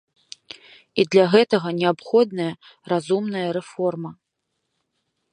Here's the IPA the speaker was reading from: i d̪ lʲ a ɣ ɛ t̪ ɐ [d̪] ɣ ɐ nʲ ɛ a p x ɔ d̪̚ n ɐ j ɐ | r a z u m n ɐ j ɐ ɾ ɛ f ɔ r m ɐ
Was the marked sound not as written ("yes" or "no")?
yes